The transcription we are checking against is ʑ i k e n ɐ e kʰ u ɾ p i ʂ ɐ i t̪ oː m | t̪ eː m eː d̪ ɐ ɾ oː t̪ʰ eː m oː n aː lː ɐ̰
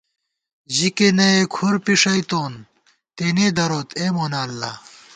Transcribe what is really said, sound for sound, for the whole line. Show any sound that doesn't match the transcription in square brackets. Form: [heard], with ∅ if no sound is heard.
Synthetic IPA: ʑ i k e n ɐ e kʰ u ɾ p i ʂ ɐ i t̪ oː [n] | t̪ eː [n] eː d̪ ɐ ɾ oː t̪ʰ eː m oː n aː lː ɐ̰